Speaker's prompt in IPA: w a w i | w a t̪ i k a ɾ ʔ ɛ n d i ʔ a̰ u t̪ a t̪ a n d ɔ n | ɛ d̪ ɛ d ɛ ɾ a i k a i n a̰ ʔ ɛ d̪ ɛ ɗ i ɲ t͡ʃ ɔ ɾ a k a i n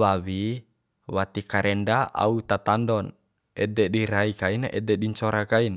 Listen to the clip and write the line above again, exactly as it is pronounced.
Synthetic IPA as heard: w a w i | w a t̪ i k a ɾ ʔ ɛ n d a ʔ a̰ u t̪ a t̪ a n d ɔ n | ɛ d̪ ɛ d i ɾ a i k a i n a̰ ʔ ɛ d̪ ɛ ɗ i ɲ t͡ʃ ɔ ɾ a k a i n